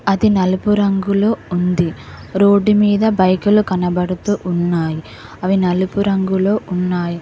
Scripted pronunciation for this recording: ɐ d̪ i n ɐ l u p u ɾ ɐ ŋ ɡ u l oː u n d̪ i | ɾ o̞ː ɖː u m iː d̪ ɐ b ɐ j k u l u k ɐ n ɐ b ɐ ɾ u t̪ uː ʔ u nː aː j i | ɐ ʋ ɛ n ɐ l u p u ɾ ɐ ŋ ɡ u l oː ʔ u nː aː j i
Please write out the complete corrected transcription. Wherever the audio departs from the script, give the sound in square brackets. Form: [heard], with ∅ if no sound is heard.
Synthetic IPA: ɐ d̪ i n ɐ l u p u ɾ ɐ ŋ ɡ u l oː u n d̪ i | ɾ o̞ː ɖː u m iː d̪ ɐ b ɐ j k u l u k ɐ n ɐ b ɐ [ɽ] u t̪ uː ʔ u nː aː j i | ɐ ʋ [i] n ɐ l u p u ɾ ɐ ŋ ɡ u l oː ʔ u nː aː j i

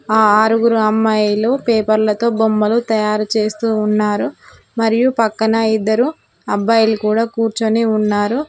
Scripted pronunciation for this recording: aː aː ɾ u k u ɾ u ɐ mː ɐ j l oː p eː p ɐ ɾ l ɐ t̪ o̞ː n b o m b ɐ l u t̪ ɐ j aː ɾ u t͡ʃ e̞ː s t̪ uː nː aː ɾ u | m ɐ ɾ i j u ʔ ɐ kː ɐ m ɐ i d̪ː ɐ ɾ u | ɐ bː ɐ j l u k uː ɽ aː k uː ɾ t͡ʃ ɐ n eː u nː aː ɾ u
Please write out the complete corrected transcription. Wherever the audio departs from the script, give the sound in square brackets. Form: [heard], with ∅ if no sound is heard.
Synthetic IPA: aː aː ɾ u [ɡ] u ɾ u ɐ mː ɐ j l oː p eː p ɐ ɾ l ɐ t̪ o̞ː [∅] b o m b ɐ l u t̪ ɐ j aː ɾ u t͡ʃ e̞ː s t̪ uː nː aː ɾ u | m ɐ ɾ i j u [p] ɐ kː ɐ [n] ɐ i d̪ː ɐ ɾ u | ɐ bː ɐ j l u k uː ɽ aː k uː ɾ t͡ʃ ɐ n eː u nː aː ɾ u

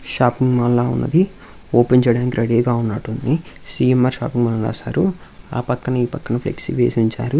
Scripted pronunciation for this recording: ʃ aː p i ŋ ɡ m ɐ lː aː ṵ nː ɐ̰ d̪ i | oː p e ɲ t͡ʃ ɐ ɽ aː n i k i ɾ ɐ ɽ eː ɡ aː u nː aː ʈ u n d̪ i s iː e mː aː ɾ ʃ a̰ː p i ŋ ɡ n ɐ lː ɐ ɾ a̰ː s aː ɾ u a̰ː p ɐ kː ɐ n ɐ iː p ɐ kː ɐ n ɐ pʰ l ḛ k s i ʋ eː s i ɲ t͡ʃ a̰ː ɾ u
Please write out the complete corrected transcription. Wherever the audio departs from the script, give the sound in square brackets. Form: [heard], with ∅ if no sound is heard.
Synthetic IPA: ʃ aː p i ŋ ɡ m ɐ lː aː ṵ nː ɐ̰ d̪ i | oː p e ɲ t͡ʃ ɐ ɽ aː n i k i ɾ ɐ ɽ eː ɡ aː u nː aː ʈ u n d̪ i s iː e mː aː ɾ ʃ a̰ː p i ŋ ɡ [m] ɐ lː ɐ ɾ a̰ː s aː ɾ u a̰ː p ɐ kː ɐ n ɐ iː p ɐ kː ɐ n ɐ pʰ l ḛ k s i ʋ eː s i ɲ t͡ʃ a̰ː ɾ u

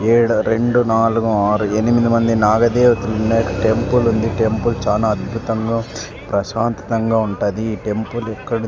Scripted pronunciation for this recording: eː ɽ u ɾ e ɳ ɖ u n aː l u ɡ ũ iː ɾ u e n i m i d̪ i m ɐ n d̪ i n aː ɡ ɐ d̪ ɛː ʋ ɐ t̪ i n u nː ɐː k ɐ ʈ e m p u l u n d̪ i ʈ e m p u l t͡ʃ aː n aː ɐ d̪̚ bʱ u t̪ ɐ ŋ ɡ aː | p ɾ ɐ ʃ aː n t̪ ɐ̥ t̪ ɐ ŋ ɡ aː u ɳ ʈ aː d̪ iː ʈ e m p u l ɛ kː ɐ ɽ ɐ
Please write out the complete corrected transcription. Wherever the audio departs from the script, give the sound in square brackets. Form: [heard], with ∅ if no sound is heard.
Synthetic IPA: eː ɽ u ɾ e ɳ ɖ u n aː l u ɡ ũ [aː] ɾ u e n i m i d̪ i m ɐ n d̪ i n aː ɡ ɐ d̪ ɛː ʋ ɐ t̪ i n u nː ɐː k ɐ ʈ e m p u l u n d̪ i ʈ e m p u l t͡ʃ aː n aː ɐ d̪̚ bʱ u t̪ ɐ ŋ ɡ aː | p ɾ ɐ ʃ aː n t̪ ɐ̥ t̪ ɐ ŋ ɡ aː u ɳ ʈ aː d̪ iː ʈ e m p u l ɛ kː ɐ ɽ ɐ

